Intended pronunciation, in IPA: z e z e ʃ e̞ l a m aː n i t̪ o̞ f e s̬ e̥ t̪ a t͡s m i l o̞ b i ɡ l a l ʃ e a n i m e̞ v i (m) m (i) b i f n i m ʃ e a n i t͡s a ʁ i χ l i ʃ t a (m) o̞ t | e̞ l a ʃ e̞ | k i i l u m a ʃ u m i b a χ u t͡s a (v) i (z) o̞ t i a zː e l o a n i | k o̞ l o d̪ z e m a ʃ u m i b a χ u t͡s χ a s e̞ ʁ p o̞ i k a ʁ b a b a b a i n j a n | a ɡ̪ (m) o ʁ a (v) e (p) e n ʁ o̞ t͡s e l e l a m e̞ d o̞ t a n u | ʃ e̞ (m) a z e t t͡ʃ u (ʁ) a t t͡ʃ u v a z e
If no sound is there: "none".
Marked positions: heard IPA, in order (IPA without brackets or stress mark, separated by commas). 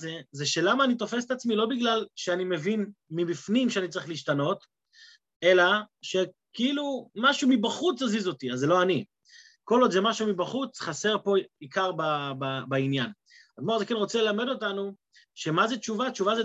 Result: n, i, n, z, z, m, z, k, m, v